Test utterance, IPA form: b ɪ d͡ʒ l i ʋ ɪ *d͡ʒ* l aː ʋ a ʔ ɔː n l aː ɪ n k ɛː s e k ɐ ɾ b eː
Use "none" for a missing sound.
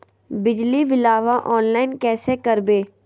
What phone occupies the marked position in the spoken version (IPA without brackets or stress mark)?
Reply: none